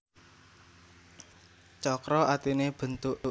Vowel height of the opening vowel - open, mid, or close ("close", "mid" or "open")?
mid